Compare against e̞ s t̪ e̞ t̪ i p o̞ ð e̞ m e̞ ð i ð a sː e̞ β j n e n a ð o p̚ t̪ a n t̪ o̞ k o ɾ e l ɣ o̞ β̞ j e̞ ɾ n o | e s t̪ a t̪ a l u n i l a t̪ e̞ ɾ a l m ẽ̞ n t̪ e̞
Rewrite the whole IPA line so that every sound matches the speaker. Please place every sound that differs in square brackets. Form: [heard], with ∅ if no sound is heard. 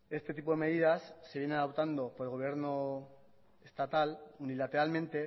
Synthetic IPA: e̞ s t̪ e̞ t̪ i p o̞ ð e̞ m e̞ ð i ð a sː e̞ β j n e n a ð o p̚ t̪ a n [d̪] o̞ [p] o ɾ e l ɣ o̞ β̞ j e̞ ɾ n o | e s t̪ a t̪ a l u n i l a t̪ e̞ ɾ a l m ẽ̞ n t̪ e̞